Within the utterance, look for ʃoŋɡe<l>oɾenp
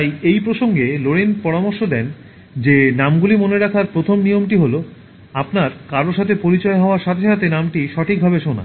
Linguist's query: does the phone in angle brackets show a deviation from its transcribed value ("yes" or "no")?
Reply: no